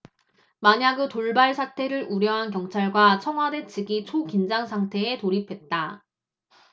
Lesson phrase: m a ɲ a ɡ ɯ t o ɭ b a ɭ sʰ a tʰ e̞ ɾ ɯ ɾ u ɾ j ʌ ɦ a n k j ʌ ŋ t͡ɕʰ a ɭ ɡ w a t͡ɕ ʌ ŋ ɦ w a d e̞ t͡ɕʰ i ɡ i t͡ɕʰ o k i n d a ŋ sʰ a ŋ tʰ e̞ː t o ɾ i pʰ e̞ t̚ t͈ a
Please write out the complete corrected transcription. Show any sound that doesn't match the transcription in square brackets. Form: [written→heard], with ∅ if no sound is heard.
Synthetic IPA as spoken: m a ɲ a ɡ ɯ t o ɭ b a ɭ sʰ a tʰ e̞ ɾ ɯ ɾ u ɾ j ʌ ɦ a n k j ʌ ŋ t͡ɕʰ a ɭ ɡ w a [t͡ɕ→t͡ɕʰ] ʌ ŋ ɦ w a d e̞ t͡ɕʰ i ɡ i t͡ɕʰ o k i n [d→d͡ʑ] a ŋ sʰ a ŋ tʰ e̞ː t o ɾ i pʰ e̞ t̚ t͈ a